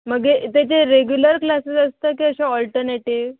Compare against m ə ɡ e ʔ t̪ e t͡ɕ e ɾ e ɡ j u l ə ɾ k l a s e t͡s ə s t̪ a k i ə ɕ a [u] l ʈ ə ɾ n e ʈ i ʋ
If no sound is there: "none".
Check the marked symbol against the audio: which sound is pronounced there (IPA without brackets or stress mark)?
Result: ɔ